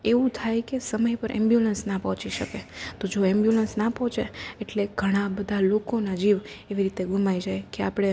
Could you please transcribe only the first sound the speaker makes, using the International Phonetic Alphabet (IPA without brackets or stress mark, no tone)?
e